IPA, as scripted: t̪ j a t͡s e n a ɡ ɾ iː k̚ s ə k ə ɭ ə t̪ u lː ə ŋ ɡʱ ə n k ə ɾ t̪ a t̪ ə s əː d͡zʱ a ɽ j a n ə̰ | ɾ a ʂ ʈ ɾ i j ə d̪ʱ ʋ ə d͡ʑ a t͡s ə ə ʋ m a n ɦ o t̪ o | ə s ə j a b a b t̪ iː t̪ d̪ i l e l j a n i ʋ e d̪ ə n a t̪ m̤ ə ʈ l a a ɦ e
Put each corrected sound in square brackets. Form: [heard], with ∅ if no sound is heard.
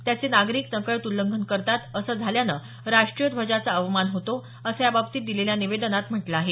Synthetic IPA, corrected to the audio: t̪ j a t͡s e n a ɡ ɾ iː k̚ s ə k ə ɭ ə t̪ u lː ə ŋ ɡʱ ə n k ə ɾ t̪ a t̪ ə s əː d͡zʱ a [l] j a n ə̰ | ɾ a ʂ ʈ ɾ i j ə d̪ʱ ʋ ə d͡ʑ a t͡s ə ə ʋ m a n ɦ o t̪ o | ə s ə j a b a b t̪ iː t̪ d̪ i l e l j a n i ʋ e d̪ ə n a t̪ m̤ ə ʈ l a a ɦ e